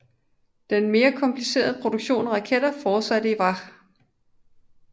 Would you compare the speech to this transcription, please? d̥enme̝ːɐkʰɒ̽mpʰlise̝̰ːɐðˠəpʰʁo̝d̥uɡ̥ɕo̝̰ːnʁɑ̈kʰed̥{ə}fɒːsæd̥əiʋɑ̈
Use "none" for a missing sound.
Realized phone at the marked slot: ɐ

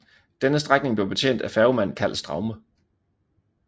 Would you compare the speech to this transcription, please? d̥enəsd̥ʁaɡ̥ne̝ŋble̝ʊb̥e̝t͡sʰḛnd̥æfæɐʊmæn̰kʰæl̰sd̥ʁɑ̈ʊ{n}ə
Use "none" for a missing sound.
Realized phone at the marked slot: m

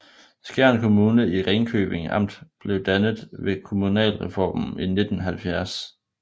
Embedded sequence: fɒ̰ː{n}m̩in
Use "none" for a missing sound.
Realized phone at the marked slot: m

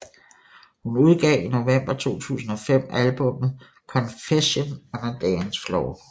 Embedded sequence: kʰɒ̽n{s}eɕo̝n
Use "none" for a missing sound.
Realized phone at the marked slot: f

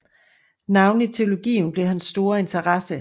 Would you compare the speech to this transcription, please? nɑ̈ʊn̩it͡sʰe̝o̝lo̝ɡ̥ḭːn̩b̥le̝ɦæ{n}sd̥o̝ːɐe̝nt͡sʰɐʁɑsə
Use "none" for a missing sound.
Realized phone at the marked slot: n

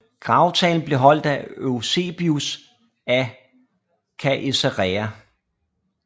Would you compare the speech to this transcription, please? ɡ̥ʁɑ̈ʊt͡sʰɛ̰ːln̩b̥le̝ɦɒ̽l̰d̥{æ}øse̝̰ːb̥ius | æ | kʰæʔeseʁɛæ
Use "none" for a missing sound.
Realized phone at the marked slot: æ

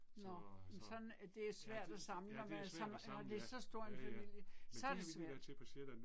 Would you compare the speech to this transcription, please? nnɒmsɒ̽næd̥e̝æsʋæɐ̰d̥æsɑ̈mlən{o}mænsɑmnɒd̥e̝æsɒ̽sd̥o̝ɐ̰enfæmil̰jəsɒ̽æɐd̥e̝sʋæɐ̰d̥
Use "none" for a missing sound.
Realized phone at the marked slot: ɒ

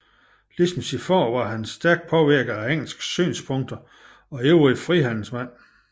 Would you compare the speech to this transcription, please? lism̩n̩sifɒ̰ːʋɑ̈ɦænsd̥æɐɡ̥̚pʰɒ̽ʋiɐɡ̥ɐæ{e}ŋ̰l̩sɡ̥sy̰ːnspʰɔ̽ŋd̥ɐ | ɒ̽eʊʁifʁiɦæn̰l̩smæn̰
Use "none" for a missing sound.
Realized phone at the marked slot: e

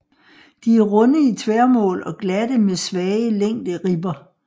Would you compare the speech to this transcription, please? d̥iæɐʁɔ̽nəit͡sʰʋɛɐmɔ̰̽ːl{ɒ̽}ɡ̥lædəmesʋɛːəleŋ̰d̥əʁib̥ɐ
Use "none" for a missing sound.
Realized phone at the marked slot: ɒ̽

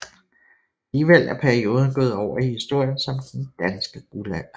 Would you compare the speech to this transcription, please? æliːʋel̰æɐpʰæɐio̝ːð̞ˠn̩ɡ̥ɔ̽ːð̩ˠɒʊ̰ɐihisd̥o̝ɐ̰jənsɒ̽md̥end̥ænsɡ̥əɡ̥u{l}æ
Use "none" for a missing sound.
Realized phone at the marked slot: l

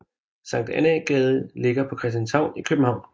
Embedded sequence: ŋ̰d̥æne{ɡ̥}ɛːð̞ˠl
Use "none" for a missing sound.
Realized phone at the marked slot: ɡ̥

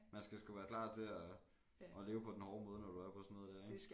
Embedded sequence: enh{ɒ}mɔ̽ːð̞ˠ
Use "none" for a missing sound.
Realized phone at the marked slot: ɒː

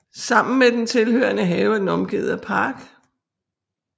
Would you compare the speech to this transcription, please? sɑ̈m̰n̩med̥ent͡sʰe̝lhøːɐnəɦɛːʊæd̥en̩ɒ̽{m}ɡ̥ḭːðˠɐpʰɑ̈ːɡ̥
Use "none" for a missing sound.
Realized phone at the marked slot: m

